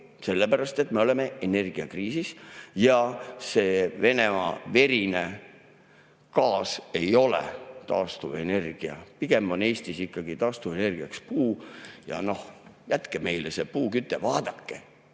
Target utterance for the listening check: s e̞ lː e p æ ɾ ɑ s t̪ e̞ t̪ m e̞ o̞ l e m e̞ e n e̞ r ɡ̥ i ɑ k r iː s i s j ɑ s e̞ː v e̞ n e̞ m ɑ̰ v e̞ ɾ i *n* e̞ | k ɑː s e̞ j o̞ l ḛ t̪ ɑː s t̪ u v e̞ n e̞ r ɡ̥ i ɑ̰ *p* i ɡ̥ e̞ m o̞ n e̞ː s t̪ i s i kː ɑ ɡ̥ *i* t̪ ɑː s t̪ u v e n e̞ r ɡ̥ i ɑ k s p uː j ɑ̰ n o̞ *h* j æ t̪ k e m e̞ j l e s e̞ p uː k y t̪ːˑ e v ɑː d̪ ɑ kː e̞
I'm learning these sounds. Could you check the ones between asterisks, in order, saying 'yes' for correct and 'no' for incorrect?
yes, yes, yes, yes

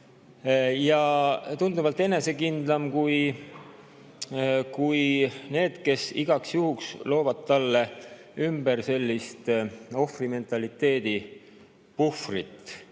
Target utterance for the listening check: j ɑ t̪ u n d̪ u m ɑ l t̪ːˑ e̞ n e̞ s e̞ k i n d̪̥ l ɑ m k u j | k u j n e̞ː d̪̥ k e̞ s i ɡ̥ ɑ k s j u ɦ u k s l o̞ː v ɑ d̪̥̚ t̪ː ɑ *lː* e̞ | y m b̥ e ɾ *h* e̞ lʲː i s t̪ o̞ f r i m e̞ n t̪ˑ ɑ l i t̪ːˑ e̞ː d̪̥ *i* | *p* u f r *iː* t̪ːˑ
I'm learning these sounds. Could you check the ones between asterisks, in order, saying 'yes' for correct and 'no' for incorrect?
yes, no, yes, yes, no

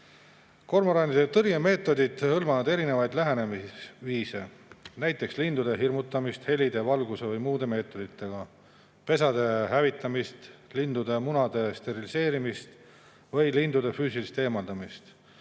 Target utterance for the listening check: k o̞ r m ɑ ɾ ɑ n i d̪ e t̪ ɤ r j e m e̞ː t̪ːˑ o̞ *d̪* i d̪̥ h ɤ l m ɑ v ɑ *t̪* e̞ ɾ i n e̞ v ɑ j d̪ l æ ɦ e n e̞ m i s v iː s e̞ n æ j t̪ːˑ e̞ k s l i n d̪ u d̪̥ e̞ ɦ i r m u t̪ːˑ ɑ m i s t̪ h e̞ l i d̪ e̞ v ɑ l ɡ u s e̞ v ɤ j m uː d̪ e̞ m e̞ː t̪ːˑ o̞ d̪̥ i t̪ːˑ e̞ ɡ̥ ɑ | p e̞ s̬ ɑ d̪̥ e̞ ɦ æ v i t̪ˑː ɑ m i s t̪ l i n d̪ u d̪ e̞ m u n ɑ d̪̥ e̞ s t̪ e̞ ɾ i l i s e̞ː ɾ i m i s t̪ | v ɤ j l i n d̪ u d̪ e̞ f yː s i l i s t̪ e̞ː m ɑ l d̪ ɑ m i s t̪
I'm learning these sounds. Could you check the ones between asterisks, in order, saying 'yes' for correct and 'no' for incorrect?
yes, no

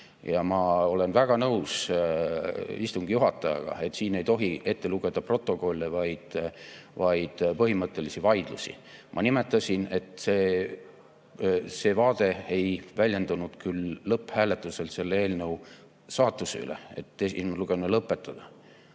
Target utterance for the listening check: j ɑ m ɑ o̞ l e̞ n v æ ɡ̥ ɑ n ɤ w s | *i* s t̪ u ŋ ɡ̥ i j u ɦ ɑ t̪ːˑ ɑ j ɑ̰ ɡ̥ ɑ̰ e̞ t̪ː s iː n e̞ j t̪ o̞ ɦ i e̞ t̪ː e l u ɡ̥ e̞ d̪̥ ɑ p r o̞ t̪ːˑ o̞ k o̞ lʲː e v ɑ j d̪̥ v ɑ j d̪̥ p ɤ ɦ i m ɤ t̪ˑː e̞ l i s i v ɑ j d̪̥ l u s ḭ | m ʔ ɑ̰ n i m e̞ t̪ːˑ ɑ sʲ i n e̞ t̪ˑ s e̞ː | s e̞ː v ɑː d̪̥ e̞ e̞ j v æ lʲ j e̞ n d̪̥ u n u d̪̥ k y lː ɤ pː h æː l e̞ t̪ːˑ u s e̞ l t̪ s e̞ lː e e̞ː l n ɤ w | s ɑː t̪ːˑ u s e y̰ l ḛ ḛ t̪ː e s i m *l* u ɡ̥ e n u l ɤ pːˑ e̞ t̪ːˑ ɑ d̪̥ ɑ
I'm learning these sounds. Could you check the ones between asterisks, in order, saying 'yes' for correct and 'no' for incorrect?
yes, yes

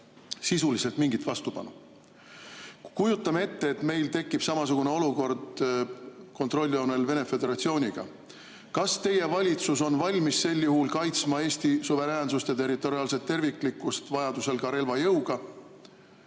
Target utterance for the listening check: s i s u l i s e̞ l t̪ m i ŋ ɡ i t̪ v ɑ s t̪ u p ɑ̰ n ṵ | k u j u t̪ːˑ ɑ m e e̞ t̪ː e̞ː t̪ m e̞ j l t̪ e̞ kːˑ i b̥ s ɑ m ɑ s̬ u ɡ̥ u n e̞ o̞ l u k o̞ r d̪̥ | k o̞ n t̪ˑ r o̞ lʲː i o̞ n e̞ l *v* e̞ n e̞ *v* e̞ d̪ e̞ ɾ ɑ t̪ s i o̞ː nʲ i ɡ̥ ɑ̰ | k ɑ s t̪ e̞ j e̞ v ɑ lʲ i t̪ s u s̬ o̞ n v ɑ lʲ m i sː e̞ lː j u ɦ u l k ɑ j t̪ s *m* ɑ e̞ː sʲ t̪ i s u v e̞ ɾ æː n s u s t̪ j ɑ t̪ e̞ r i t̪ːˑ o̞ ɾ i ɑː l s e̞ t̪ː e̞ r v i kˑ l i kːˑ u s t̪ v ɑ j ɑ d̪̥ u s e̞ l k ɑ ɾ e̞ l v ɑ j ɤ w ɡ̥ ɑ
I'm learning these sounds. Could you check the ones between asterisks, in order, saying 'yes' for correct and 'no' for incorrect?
yes, no, yes

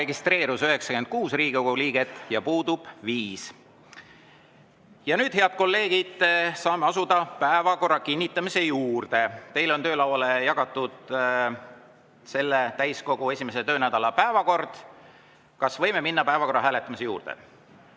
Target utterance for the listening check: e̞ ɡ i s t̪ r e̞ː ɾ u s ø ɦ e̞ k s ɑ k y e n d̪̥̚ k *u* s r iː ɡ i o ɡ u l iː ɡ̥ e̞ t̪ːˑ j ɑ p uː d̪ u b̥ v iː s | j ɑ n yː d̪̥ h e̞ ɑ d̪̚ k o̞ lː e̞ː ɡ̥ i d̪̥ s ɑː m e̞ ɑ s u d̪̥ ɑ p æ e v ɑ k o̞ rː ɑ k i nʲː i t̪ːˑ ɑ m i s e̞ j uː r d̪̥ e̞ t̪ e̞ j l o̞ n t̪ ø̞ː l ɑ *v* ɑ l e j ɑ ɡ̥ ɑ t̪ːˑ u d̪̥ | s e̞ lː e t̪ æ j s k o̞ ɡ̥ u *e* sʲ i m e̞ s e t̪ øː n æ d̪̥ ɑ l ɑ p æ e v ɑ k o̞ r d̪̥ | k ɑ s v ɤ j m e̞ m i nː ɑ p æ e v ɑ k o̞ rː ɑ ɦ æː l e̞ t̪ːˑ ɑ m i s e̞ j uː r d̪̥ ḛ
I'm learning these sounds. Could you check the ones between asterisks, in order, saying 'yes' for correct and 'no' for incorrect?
no, no, yes

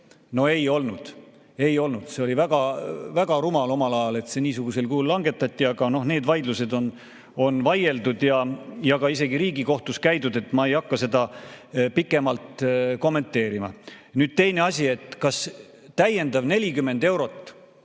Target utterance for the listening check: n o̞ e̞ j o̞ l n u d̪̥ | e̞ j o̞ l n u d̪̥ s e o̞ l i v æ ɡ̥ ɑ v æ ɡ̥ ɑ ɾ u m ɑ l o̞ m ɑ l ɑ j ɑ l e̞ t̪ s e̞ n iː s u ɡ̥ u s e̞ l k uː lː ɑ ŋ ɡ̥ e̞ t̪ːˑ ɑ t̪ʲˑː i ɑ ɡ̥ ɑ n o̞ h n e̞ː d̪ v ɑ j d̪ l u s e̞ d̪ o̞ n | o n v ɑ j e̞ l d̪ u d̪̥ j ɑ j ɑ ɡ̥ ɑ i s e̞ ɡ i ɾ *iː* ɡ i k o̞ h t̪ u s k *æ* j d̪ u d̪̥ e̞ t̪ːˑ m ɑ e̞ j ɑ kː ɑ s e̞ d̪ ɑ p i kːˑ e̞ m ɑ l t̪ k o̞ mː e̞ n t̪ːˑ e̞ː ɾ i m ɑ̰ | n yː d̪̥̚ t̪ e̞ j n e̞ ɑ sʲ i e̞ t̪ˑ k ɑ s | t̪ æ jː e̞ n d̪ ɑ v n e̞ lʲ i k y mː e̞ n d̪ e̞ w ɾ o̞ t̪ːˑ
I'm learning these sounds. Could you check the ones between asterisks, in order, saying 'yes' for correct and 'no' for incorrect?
yes, yes

